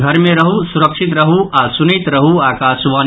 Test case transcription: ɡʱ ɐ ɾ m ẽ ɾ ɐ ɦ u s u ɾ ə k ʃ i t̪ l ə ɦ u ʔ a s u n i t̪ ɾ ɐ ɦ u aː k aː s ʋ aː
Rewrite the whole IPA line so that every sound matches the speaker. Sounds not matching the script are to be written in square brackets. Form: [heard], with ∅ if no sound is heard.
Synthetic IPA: ɡʱ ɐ ɾ m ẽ ɾ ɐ ɦ u s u ɾ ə k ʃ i t̪ [ɾ] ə ɦ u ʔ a s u n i t̪ ɾ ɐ ɦ u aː k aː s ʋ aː